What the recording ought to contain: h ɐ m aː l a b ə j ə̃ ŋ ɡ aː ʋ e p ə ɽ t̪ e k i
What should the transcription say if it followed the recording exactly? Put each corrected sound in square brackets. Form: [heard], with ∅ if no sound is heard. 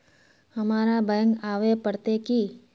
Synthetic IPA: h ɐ m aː [ɾ] a b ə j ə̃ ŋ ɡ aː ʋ e p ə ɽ t̪ e k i